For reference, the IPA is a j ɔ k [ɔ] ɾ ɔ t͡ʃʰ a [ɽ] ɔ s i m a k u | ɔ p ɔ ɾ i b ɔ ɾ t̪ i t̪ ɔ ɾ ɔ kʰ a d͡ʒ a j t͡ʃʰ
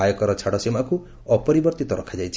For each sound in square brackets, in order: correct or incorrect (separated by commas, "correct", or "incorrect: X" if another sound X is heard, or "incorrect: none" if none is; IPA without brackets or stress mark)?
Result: correct, correct